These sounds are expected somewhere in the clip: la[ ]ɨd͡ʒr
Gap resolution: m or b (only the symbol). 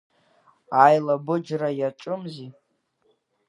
b